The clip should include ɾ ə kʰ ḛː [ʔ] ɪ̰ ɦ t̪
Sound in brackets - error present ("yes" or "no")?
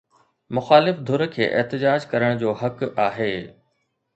no